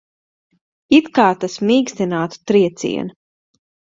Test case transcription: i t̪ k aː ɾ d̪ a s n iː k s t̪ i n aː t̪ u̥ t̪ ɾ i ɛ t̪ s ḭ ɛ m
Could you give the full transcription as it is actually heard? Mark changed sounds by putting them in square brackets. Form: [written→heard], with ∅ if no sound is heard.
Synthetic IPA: i t̪ k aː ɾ [d̪→t̪] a s [n→m] iː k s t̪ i n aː t̪ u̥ t̪ ɾ i ɛ t̪ s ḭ ɛ [m→n]

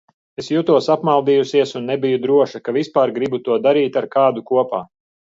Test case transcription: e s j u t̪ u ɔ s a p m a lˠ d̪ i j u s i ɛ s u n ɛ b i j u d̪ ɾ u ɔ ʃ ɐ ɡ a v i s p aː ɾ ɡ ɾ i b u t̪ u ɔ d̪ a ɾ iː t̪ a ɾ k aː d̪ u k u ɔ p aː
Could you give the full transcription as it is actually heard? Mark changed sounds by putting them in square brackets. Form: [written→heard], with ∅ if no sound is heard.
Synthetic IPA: e s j u t̪ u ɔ s a p m a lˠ d̪ i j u s i ɛ s u [n→nː] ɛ b i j u d̪ ɾ u ɔ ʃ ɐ [ɡ→k] a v i s p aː ɾ ɡ ɾ i b u t̪ u ɔ d̪ a ɾ iː t̪ a ɾ k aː d̪ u k u ɔ p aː

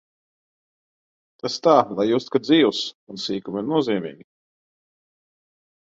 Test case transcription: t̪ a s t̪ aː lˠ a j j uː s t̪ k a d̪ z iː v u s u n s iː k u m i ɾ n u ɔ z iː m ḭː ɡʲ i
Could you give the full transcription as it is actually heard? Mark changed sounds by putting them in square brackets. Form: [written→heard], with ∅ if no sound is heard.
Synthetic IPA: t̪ a s t̪ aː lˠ a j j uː s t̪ k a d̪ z iː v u s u n s iː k u m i ɾ n u ɔ z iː m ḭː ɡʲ i

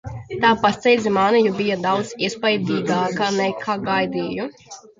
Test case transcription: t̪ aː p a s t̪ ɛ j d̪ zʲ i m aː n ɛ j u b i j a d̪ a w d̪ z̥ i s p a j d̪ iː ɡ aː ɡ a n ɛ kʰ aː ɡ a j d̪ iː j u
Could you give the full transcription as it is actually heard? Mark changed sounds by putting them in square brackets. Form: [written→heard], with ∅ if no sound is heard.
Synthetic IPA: t̪ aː p a s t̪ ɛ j d̪ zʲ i m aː n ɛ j u b i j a d̪ a w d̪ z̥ i s p a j d̪ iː ɡ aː [ɡ→k] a n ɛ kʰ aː ɡ a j d̪ iː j u

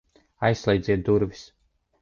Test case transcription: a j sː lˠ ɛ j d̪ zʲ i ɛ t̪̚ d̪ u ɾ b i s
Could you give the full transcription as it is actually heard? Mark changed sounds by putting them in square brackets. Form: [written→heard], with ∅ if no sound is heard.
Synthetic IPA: a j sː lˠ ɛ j d̪ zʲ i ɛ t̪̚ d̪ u ɾ [b→v] i s

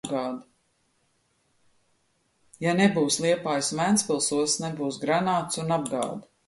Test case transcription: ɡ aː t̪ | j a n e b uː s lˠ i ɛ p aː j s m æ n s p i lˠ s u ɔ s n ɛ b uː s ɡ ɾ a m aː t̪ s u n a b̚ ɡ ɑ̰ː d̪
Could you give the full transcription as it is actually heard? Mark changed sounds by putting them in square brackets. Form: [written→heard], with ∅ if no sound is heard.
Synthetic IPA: ɡ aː [t̪→d̪] | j a n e b uː s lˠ i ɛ p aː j s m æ n s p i lˠ s u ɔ s n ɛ b uː s ɡ ɾ a [m→n] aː t̪ s u n a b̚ ɡ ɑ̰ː d̪

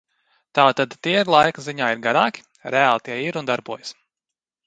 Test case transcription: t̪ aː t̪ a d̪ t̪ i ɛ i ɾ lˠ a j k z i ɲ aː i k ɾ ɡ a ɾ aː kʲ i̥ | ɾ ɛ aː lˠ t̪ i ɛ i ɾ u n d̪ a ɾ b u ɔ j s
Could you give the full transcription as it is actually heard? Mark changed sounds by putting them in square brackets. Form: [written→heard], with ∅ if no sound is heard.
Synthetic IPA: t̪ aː t̪ a d̪ t̪ i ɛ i ɾ lˠ a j k z i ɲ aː i [k→∅] ɾ ɡ a ɾ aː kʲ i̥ | ɾ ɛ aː lˠ t̪ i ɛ i ɾ u n d̪ a ɾ b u ɔ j s

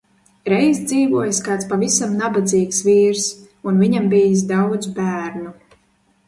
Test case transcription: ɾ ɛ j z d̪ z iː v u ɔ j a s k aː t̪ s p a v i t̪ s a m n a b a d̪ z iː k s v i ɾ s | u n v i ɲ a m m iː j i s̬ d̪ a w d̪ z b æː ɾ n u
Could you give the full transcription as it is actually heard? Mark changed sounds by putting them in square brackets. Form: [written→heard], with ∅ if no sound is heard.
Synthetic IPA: ɾ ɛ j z d̪ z iː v u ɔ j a s k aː t̪ s p a v i [t̪→∅] s a m n a b a d̪ z iː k s v [i→iː] ɾ s | u n v i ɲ a m [m→b] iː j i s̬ d̪ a w d̪ z b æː ɾ n u

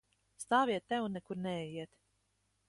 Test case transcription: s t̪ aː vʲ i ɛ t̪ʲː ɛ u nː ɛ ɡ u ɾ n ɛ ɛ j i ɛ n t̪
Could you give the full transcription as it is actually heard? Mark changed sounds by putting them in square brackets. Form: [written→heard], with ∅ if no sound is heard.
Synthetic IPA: s t̪ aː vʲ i ɛ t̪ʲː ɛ [u→w] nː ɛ [ɡ→k] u ɾ n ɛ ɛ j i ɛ [n→∅] t̪

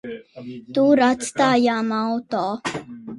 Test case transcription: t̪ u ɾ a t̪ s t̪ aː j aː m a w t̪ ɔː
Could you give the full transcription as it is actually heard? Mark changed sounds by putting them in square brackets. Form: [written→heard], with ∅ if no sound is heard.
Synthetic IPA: t̪ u ɾ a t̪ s t̪ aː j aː m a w t̪ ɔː

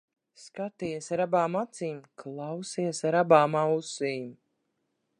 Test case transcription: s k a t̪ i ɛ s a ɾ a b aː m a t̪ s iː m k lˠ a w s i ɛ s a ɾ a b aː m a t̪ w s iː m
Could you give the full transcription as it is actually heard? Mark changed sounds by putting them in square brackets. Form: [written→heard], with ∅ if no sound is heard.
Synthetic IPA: s k a t̪ i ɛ s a ɾ a b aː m a t̪ s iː m k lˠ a w s i ɛ s a ɾ a b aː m a [t̪→∅] w s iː m

